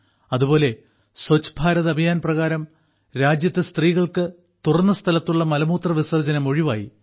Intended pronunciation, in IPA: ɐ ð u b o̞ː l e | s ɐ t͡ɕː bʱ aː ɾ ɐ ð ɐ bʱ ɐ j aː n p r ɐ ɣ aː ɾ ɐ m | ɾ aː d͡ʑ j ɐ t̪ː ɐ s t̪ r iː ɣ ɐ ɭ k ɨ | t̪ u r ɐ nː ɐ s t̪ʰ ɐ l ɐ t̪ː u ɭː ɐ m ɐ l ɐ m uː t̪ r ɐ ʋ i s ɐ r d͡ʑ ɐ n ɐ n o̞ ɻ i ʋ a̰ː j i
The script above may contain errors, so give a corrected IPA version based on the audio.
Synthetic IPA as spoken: ɐ ð u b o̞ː l e | s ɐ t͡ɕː bʱ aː ɾ ɐ ð ɐ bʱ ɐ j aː n p r ɐ ɣ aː ɾ ɐ m | ɾ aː d͡ʑ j ɐ t̪ː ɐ s t̪ r iː ɣ ɐ ɭ k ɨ | t̪ u r ɐ nː ɐ s t̪ʰ ɐ l ɐ t̪ː u ɭː ɐ m ɐ l ɐ m uː t̪ r ɐ ʋ i s ɐ r d͡ʑ ɐ n ɐ m o̞ ɻ i ʋ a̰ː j i